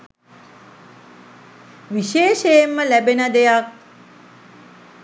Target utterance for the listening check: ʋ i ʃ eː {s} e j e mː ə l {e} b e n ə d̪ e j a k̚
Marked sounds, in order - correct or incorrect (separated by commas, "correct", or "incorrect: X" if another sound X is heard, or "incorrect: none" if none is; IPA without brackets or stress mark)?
incorrect: ʃ, incorrect: æ